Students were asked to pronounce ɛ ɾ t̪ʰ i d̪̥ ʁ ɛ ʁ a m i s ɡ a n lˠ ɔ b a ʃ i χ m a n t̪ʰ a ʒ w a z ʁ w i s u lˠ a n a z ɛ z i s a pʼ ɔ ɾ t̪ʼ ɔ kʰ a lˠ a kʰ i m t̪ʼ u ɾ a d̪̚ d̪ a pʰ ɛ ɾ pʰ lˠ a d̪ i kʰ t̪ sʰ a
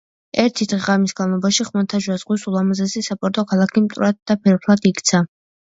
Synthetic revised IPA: ɛ ɾ t̪ʰ i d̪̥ ʁ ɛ ʁ a m i s ɡ a n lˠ ɔ b a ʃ i χ m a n t̪ʰ a ʒ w a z ʁ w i s u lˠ a m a z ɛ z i s a pʼ ɔ ɾ t̪ʼ ɔ kʰ a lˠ a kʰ i m t̪ʼ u ɾ a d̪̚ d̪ a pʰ ɛ ɾ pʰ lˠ a d̪ i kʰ t̪ sʰ a